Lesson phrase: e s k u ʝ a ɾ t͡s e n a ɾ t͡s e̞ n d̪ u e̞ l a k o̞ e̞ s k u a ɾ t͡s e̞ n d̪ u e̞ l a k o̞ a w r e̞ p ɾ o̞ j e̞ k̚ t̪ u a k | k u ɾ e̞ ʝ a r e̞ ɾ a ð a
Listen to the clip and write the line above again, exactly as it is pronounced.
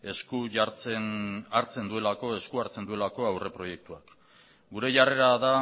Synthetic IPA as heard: e s k u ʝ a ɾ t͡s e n a ɾ t͡s e̞ n d̪ u e̞ l a k o̞ e̞ s k u a ɾ t͡s e̞ n d̪ u e̞ l a k o̞ a w r e̞ p ɾ o̞ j e̞ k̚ t̪ u a k | ɡ u ɾ e̞ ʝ a r e̞ ɾ a ð a

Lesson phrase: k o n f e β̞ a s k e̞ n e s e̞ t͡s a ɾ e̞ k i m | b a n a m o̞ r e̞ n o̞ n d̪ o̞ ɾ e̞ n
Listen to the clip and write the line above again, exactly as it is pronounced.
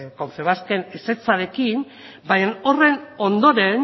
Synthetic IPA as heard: k o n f e β̞ a s k e̞ n e s e̞ t͡s a ɾ e̞ k i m | b a ɲ a n o̞ r e̞ n o̞ n d̪ o̞ ɾ e̞ n

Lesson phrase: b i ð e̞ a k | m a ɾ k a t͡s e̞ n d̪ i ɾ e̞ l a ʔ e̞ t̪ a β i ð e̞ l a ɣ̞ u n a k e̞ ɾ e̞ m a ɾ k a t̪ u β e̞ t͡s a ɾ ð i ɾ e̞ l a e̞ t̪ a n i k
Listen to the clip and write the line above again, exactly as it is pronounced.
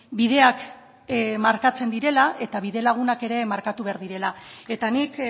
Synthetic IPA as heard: b i ð e̞ a k | m a ɾ k a t͡s e̞ n d̪ i ɾ e̞ l a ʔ e̞ t̪ a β i ð e̞ l a ɣ̞ u n a k e̞ ɾ e̞ m a ɾ k a t̪ u β e̞ a ɾ ð i ɾ e̞ l a e̞ t̪ a n i k

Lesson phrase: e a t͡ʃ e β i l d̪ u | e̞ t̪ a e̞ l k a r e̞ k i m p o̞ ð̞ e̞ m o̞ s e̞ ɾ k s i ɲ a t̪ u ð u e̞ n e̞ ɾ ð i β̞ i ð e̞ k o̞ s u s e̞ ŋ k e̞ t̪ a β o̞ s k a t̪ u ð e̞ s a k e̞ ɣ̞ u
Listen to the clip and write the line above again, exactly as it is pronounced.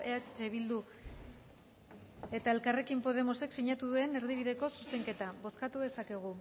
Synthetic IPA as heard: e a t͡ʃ e β i l d̪ u | e̞ t̪ a e̞ l k a r e̞ k i m p o̞ ð̞ e̞ m o̞ s e̞ k s i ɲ a t̪ u ð u e̞ n e̞ ɾ ð i β̞ i ð e̞ k o̞ s u s e̞ ŋ k e̞ t̪ a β o̞ s k a t̪ u ð e̞ s a k e̞ ɣ̞ u

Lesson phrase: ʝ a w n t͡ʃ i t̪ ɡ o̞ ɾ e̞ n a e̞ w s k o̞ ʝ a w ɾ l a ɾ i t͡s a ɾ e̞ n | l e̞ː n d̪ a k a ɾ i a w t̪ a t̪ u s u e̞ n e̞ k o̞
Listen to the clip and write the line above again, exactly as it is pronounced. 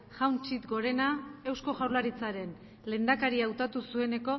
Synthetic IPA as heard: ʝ a w n t͡ʃ i t̪ ɡ o̞ ɾ e̞ n a e̞ w s k o̞ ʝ a w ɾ l a ɾ i t͡s a ɾ e̞ n | l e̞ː n d̪ a k a ɾ i a w t̪ a t̪ u s u e̞ n e̞ k o̞

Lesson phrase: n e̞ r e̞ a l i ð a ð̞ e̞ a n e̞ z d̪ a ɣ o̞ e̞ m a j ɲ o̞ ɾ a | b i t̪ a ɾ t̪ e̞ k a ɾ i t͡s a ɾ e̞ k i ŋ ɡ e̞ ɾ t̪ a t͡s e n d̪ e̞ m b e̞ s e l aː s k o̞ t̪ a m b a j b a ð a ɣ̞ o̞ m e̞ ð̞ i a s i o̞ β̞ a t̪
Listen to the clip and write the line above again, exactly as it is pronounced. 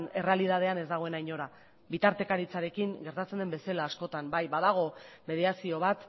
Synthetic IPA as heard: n e̞ r e̞ a l i ð a ð̞ e̞ a n e̞ z d̪ a ɣ o̞ e̞ n a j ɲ o̞ ɾ a | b i t̪ a ɾ t̪ e̞ k a ɾ i t͡s a ɾ e̞ k i ŋ ɡ e̞ ɾ t̪ a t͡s e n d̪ e̞ m b e̞ s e l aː s k o̞ t̪ a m b a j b a ð a ɣ̞ o̞ m e̞ ð̞ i a s i o̞ β̞ a t̪

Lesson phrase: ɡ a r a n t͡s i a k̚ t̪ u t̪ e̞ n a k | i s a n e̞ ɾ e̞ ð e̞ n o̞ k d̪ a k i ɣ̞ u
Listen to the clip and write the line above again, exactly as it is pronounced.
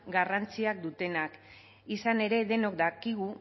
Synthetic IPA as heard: ɡ a r a n t͡s i a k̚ d̪ u t̪ e̞ n a k | i s a n e̞ ɾ e̞ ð e̞ n o̞ k d̪ a k i ɣ̞ u

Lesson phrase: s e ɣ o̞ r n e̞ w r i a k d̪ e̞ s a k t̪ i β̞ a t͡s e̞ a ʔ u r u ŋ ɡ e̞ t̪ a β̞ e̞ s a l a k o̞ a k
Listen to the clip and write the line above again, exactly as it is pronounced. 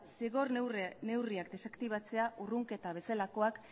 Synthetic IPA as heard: s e ɣ o̞ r n e̞ w r i a k d̪ e̞ s a k t̪ i β̞ a t͡s e̞ a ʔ u r u ŋ k e̞ t̪ a β̞ e̞ s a l a k o̞ a k

